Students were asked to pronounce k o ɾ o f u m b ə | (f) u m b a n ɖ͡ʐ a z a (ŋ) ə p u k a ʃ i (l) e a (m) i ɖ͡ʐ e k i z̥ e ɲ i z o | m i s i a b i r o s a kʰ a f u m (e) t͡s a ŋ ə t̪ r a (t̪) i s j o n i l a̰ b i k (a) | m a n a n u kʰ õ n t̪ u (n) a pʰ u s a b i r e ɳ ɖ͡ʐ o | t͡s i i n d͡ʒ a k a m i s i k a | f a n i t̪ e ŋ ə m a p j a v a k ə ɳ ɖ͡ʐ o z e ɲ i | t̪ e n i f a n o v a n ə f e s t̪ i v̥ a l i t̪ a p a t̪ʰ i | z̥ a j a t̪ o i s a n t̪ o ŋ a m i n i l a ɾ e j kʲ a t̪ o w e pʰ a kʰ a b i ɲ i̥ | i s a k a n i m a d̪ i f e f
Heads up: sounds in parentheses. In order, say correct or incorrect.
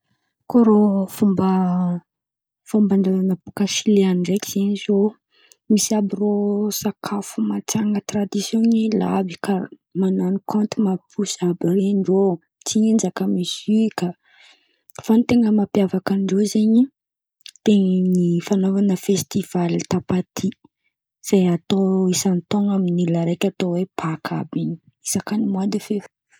correct, incorrect: n, correct, incorrect: n, incorrect: a, incorrect: d̪, correct, incorrect: m

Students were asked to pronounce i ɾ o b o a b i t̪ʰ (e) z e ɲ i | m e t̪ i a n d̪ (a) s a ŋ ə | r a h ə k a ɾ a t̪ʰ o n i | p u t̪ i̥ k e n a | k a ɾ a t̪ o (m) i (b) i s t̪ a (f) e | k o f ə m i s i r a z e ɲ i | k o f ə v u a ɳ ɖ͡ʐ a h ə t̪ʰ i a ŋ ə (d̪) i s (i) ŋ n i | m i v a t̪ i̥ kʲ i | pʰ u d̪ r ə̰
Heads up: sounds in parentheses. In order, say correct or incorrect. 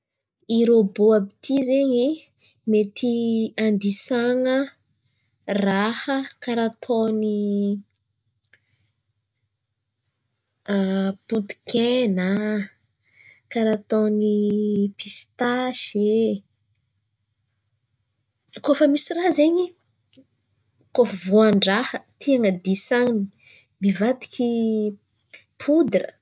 incorrect: i, incorrect: i, incorrect: n, incorrect: p, incorrect: ʃ, correct, incorrect: a

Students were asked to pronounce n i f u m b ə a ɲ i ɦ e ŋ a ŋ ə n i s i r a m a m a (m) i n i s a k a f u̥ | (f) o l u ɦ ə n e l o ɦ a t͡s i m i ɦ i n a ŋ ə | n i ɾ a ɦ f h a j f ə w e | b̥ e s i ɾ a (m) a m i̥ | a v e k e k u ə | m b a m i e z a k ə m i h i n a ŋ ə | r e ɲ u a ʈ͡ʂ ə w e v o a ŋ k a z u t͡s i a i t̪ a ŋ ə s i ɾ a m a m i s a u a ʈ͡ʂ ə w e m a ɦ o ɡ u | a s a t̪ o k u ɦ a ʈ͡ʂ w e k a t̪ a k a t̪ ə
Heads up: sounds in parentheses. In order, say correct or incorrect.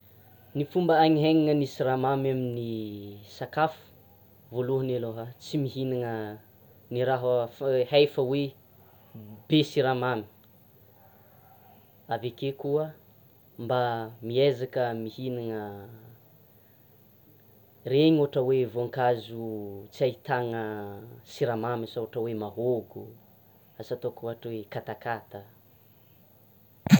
correct, incorrect: v, correct

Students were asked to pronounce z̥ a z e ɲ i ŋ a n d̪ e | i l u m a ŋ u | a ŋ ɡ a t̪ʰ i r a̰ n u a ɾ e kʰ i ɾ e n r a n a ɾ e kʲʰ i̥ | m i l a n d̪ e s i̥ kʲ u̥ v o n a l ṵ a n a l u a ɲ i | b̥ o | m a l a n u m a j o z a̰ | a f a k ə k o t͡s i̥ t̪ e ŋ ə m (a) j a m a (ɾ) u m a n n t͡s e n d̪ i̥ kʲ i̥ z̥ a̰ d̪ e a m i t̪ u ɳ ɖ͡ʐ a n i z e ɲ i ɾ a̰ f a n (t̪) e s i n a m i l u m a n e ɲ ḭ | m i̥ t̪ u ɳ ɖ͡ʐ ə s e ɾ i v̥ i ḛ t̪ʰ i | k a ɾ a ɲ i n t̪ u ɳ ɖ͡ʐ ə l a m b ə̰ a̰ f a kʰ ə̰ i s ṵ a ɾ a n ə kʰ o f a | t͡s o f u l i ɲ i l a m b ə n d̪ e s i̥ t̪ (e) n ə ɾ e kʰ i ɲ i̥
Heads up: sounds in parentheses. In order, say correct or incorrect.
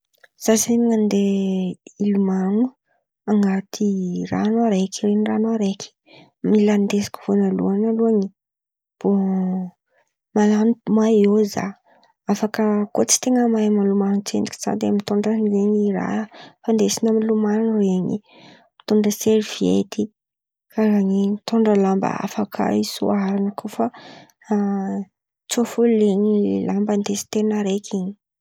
correct, incorrect: l, incorrect: d̪, correct

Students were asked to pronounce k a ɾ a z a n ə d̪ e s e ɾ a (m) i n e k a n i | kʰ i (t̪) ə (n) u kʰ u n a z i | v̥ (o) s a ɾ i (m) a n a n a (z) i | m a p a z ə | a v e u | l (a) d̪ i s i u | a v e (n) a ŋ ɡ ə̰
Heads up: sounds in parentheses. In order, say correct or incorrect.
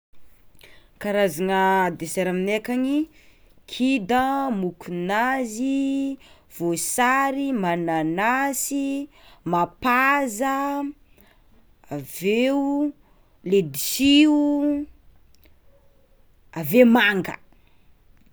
correct, incorrect: d̪, incorrect: m, correct, correct, incorrect: s, incorrect: e, incorrect: m

